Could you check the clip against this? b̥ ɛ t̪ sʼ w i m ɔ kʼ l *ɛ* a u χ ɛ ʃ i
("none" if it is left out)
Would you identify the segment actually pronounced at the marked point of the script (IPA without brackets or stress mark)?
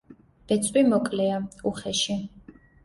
ɛ